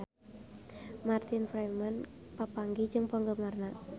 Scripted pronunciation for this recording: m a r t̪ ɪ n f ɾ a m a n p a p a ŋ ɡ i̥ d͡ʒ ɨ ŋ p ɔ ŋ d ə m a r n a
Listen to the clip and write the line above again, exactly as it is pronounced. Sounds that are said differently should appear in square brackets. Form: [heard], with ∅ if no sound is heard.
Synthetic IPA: m a r t̪ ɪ n f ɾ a m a n p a p a ŋ ɡ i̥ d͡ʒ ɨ ŋ p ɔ ŋ [ɡ] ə m a r n a